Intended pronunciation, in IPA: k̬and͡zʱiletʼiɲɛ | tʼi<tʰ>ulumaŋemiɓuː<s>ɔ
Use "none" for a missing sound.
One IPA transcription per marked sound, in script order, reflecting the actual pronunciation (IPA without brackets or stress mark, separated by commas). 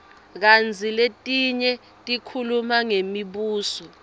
kʰ, s